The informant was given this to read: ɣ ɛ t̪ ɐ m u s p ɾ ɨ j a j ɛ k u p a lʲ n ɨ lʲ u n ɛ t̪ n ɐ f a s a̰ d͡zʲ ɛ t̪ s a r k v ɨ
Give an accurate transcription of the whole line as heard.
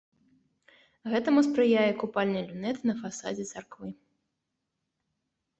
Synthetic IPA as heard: ɣ ɛ t̪ ɐ m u s p ɾ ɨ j a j ɛ k u p a lʲ n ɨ lʲ u n ɛ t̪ n ɐ f a s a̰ d͡zʲ ɛ t̪ s a r k v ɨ

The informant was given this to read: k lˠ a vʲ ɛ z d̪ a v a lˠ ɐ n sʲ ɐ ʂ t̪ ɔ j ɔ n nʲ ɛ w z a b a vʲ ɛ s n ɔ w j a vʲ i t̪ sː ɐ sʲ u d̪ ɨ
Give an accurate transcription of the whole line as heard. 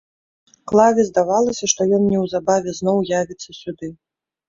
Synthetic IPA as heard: k lˠ a vʲ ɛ z d̪ a v a lˠ ɐ sʲ ɐ ʂ t̪ ɔ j ɔ n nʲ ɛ w z a b a vʲ ɛ z n ɔ w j a vʲ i t̪ sː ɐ sʲ u d̪ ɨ

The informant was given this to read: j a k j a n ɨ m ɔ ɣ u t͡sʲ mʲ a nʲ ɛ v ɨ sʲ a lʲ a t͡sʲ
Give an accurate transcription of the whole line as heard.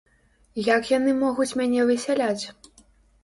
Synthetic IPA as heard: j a k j a n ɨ m ɔ ɣ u t͡sʲ mʲ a nʲ ɛ v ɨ sʲ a lʲ a t͡sʲ

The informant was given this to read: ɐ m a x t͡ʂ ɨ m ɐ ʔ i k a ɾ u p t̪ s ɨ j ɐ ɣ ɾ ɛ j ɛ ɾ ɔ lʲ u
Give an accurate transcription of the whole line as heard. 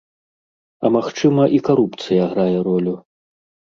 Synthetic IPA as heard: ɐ m a x t͡ʂ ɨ m ɐ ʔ i k a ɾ u p t̪ s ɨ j ɐ ɣ ɾ a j ɛ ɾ ɔ lʲ u

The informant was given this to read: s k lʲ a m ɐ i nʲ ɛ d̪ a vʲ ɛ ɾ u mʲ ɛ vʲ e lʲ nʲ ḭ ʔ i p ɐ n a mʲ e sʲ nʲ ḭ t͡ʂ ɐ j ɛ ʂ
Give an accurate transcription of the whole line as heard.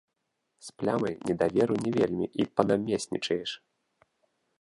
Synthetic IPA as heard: s p lʲ a m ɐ j nʲ ɛ d̪ a vʲ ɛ ɾ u nʲ ɛ vʲ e lʲ mʲ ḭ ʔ i p ɐ n a mʲ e sʲ nʲ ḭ t͡ʂ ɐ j ɛ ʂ

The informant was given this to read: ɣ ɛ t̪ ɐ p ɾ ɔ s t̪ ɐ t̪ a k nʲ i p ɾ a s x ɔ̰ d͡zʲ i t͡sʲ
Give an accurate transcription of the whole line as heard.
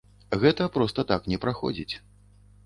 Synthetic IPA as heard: ɣ ɛ t̪ ɐ p ɾ ɔ s t̪ ɐ t̪ a k nʲ ɛ p ɾ a x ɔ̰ d͡zʲ i t͡sʲ

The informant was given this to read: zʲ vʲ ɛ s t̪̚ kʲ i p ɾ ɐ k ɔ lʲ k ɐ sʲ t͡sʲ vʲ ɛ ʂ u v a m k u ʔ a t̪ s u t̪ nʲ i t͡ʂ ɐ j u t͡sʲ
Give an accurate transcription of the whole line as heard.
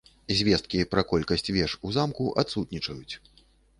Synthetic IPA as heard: zʲ vʲ ɛ s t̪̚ kʲ i p ɾ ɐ k ɔ lʲ k ɐ sʲ t͡sʲ vʲ ɛ ʂ u z a m k u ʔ a t̪ s u t̪ nʲ i t͡ʂ ɐ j u t͡sʲ

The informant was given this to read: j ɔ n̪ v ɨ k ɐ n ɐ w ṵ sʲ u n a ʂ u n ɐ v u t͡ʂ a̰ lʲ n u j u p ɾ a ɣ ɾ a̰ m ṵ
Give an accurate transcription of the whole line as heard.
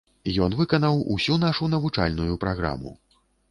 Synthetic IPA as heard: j ɔ n̪ v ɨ k ɐ n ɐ w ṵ sʲ u n a ʂ u n ɐ v u t͡ʂ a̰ lʲ n u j u p ɾ a ɣ ɾ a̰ m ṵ

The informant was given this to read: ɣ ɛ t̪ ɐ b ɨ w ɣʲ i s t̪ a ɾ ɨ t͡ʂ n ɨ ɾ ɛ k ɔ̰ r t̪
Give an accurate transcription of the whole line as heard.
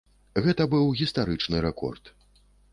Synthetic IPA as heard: ɣ ɛ t̪ ɐ b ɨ w ɣʲ i s t̪ a ɾ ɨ t͡ʂ n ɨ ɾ ɛ k ɔ̰ r t̪

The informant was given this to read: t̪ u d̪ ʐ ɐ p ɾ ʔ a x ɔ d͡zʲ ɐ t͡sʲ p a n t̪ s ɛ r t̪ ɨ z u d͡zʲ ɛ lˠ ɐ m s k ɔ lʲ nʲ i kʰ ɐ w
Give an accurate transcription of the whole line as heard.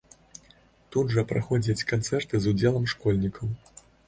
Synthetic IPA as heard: t̪ u d̪ ʐ ɐ p ɾ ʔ a x ɔ d͡zʲ ɐ t͡sʲ k a n t̪ s ɛ r t̪ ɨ z u d͡zʲ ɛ lˠ ɐ m ʂ k ɔ lʲ nʲ i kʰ ɐ w

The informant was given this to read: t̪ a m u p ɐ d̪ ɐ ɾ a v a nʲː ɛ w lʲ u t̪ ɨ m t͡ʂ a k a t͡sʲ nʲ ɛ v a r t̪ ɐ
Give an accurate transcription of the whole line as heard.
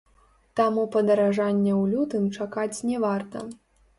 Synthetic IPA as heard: t̪ a m u p ɐ d̪ ɐ ɾ a ʐ a nʲː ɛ w lʲ u t̪ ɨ m t͡ʂ a k a t͡sʲ nʲ ɛ v a r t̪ ɐ

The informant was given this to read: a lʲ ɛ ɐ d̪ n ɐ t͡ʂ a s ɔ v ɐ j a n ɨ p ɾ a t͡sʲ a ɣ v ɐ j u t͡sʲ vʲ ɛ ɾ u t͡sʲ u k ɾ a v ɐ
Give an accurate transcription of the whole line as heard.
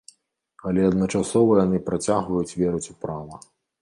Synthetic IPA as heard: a lʲ ɛ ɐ d̪ n ɐ t͡ʂ a s ɔ v ɐ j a n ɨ p ɾ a t͡sʲ a ɣ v ɐ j u t͡sʲ vʲ ɛ ɾ u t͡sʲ u p ɾ a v ɐ

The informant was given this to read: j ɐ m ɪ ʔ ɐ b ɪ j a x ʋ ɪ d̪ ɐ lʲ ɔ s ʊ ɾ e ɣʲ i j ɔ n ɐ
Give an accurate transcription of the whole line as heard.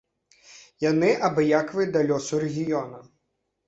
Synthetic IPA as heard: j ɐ n ɪ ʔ ɐ b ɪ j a k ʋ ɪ d̪ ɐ lʲ ɔ s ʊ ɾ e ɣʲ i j ɔ n ɐ

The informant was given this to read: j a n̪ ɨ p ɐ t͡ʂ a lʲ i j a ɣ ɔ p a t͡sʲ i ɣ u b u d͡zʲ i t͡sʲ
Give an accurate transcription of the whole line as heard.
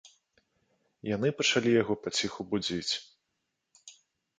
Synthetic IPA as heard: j a n̪ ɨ p ɐ t͡ʂ a lʲ i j a ɣ ɔ p a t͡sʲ i x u b u d͡zʲ i t͡sʲ

